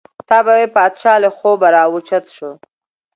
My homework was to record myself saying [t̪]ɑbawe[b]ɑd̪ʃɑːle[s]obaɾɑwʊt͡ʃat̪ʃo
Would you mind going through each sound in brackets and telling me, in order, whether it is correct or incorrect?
correct, incorrect: p, incorrect: x

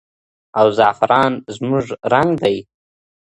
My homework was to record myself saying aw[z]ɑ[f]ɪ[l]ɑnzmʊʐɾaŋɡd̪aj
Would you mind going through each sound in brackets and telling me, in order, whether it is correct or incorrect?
correct, correct, incorrect: ɾ

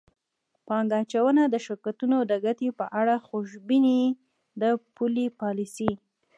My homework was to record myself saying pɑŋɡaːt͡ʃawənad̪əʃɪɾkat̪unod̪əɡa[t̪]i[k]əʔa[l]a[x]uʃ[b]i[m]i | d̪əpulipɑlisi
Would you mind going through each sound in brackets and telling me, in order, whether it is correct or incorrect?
correct, incorrect: p, incorrect: ɽ, correct, correct, incorrect: n

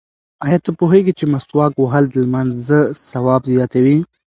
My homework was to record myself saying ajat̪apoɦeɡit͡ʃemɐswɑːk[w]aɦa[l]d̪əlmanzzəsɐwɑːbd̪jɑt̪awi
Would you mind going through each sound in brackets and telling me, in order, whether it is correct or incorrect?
correct, correct

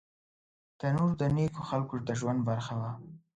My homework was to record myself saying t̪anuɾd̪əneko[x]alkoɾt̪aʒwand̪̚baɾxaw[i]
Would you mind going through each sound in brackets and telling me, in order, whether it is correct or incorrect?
correct, incorrect: a

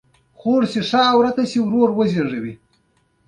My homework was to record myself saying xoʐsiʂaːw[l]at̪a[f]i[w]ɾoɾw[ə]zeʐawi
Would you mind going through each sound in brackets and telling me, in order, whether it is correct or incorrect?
incorrect: ɾ, incorrect: s, correct, correct

